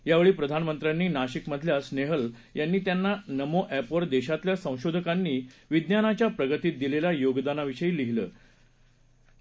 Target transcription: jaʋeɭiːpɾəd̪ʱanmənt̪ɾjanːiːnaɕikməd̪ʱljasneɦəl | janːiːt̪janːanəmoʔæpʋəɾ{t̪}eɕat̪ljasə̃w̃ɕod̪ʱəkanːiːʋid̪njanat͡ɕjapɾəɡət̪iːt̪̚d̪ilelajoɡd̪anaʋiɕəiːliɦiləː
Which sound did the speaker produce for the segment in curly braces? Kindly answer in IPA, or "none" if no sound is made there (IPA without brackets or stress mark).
d̪